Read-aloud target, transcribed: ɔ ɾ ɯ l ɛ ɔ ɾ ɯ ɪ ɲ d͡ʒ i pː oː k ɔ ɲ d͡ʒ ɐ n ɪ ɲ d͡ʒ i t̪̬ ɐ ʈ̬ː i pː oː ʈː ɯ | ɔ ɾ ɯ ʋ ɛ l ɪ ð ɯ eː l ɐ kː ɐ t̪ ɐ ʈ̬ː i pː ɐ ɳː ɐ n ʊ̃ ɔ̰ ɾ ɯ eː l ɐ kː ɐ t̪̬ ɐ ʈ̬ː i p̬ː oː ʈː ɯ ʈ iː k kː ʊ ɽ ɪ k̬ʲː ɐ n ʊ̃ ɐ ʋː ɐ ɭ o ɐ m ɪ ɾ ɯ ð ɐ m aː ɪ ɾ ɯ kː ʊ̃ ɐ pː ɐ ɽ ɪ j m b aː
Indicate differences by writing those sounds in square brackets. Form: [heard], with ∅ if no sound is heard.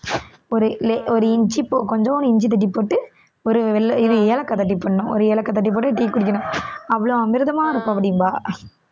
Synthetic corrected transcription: ɔ ɾ ɯ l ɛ ɔ ɾ ɯ ɪ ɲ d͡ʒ i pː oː k ɔ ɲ d͡ʒ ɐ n ɪ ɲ d͡ʒ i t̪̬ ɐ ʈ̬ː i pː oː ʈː ɯ | ɔ ɾ ɯ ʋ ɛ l ɪ ð ɯ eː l ɐ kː ɐ t̪ ɐ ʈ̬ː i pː ɐ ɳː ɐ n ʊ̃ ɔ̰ ɾ ɯ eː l ɐ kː ɐ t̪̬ ɐ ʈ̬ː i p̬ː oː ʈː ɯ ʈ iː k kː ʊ ɽ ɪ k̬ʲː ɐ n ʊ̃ ɐ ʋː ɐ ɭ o ɐ m ɪ ɾ ɯ ð ɐ m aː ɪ ɾ ɯ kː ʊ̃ ɐ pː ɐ ɽ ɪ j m b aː

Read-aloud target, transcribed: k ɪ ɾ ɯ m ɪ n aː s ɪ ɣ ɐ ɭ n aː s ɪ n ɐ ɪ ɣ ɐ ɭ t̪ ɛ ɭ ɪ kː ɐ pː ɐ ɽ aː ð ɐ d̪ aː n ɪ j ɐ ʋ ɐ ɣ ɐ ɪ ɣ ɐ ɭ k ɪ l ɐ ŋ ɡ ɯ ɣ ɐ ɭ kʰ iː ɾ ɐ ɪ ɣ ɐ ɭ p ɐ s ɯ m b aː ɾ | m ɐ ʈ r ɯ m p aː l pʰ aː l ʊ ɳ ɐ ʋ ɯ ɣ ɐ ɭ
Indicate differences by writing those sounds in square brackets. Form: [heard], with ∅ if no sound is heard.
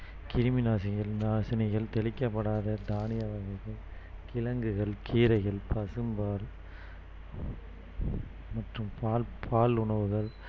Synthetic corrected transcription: k ɪ ɾ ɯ m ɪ n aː s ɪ ɣ ɐ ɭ n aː s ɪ n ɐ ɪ ɣ ɐ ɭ t̪ ɛ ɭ ɪ kː ɐ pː ɐ ɽ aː ð ɐ d̪ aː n ɪ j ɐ ʋ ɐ ɣ ɐ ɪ ɣ ɐ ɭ k ɪ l ɐ ŋ ɡ ɯ ɣ ɐ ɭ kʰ iː ɾ ɐ ɪ ɣ ɐ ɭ p ɐ s ɯ m b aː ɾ | m ɐ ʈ r ɯ m p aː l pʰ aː l ʊ ɳ ɐ ʋ ɯ ɣ ɐ ɭ

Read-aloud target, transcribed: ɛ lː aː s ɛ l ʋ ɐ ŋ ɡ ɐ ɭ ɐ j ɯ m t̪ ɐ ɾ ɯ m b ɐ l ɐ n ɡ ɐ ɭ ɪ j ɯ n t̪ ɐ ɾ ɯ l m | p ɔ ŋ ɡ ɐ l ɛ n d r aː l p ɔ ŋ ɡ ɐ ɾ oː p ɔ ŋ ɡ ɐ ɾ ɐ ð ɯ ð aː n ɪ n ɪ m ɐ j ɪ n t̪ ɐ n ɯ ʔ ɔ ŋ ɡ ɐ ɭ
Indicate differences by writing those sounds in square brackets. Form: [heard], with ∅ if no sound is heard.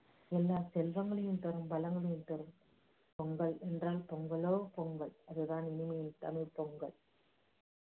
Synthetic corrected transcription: ɛ lː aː s ɛ l ʋ ɐ ŋ ɡ ɐ ɭ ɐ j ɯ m t̪ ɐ ɾ ɯ m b ɐ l ɐ [ŋ] ɡ ɐ ɭ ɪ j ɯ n t̪ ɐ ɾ ɯ [∅] m | p ɔ ŋ ɡ ɐ [ɭ] ɛ n d r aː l p ɔ ŋ ɡ ɐ [ɭ] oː p ɔ ŋ ɡ ɐ [ɭ] ɐ ð ɯ ð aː n ɪ n ɪ m ɐ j ɪ n t̪ ɐ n ɯ [p] ɔ ŋ ɡ ɐ ɭ

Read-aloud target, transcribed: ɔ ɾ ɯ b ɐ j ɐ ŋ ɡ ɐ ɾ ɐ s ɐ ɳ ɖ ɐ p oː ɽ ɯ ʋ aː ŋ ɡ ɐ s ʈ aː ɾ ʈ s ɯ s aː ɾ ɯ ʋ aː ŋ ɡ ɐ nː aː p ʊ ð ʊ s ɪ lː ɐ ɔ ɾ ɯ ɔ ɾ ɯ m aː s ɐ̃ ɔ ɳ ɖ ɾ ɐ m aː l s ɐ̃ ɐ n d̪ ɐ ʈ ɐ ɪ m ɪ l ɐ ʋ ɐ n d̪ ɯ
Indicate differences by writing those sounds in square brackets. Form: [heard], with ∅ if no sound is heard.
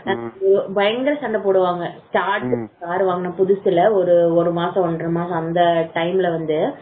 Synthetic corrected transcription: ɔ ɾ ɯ b ɐ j ɐ ŋ ɡ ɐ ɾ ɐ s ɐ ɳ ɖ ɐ p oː ɽ ɯ ʋ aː ŋ ɡ ɐ s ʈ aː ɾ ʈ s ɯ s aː ɾ ɯ ʋ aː ŋ ɡ ɐ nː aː p ʊ ð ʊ s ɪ [l] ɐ ɔ ɾ ɯ ɔ ɾ ɯ m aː s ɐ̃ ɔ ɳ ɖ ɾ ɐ m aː [∅] s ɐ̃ ɐ n d̪ ɐ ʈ ɐ ɪ m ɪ l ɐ ʋ ɐ n d̪ ɯ

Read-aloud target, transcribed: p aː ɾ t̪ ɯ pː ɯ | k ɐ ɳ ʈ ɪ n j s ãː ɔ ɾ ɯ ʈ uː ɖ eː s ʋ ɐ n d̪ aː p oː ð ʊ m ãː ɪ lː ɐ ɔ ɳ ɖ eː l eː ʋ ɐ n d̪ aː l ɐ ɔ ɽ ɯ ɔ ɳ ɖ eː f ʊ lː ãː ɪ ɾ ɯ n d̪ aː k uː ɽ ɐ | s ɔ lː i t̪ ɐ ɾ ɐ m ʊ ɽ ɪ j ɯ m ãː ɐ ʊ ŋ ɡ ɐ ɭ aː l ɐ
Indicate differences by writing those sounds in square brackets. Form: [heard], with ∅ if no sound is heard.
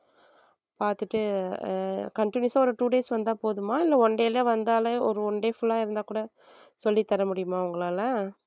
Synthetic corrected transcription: p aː ɾ t̪ ɯ [ʈː] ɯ | k ɐ ɳ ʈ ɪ n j s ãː ɔ ɾ ɯ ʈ uː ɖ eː s ʋ ɐ n d̪ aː p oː ð [ɯ] m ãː ɪ lː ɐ ɔ ɳ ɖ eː l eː ʋ ɐ n d̪ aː l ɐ ɔ [ɾ] ɯ ɔ ɳ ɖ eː f ʊ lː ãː ɪ ɾ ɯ n d̪ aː k uː ɽ ɐ | s ɔ lː i t̪ ɐ ɾ ɐ m ʊ ɽ ɪ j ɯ m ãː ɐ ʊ ŋ ɡ ɐ ɭ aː l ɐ

